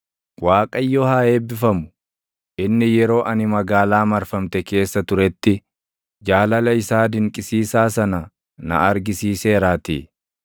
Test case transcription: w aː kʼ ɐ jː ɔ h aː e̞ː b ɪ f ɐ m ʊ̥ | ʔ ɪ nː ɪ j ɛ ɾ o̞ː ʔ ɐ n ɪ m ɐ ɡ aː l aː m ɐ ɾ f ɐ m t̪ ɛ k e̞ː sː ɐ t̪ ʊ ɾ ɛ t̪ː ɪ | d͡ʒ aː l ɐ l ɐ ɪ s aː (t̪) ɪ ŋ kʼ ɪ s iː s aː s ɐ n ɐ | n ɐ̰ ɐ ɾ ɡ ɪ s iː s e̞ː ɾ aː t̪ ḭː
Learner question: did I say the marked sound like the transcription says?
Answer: no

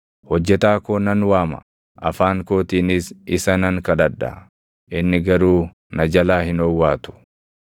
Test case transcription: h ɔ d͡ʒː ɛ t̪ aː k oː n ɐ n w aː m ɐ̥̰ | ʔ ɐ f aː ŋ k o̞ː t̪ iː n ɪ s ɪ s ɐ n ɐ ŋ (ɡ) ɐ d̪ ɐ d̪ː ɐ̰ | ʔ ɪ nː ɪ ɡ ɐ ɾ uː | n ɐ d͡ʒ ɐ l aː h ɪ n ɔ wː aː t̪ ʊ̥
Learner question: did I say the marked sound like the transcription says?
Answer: no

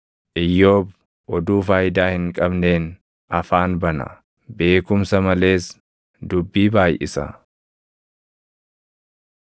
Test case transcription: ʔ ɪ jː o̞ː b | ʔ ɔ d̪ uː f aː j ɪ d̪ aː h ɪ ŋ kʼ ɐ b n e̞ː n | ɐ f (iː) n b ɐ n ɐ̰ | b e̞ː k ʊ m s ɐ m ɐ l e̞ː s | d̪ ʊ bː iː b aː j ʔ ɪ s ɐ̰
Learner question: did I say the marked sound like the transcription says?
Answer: no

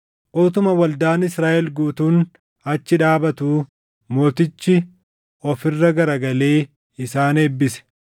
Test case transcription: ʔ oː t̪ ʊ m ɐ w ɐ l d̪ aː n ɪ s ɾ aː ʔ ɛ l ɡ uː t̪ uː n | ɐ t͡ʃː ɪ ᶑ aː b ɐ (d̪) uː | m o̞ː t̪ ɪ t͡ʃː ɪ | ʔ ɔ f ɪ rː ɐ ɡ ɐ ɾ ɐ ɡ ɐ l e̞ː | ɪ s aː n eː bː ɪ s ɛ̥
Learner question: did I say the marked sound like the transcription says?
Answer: no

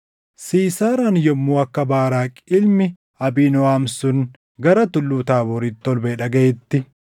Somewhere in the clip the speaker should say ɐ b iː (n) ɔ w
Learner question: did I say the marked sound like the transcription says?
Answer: yes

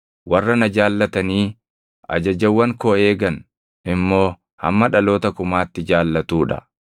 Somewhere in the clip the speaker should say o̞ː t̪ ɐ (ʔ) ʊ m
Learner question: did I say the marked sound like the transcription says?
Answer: no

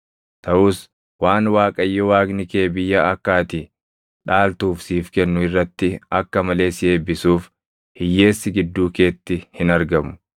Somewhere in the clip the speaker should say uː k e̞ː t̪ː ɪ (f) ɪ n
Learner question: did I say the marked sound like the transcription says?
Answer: no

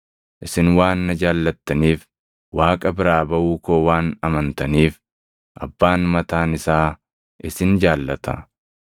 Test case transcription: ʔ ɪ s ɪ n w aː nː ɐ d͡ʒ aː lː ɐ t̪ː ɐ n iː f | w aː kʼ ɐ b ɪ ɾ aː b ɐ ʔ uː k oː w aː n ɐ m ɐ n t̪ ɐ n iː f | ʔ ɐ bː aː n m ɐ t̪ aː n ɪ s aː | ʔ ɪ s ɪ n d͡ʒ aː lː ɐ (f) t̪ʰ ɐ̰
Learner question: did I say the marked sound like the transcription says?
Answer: no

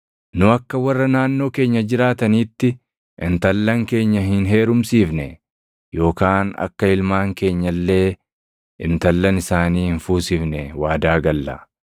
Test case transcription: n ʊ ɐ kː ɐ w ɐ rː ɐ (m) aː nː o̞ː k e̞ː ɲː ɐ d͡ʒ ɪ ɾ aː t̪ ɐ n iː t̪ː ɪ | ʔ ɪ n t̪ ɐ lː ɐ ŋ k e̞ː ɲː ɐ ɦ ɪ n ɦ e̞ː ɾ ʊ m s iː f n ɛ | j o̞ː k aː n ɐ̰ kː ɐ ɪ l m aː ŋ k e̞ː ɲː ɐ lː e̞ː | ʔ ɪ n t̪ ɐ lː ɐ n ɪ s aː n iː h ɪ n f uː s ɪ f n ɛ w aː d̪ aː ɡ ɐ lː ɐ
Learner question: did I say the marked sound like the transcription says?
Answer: no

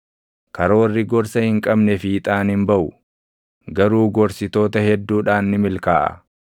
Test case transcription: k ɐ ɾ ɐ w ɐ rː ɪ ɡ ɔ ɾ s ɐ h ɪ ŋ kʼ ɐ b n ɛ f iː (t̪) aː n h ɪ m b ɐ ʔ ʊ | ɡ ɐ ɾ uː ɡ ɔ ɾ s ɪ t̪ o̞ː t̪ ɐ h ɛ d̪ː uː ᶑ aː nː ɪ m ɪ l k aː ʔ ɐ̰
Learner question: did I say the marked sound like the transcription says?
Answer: no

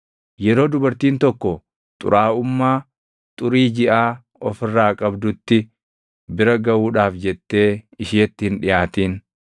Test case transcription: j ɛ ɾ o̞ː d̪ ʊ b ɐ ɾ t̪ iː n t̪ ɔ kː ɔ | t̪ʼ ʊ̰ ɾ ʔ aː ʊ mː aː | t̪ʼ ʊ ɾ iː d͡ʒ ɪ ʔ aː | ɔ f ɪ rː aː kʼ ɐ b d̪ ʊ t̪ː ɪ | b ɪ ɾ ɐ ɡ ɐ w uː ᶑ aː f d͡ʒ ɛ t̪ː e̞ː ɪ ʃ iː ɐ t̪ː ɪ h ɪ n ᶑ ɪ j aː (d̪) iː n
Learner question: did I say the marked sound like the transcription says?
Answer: no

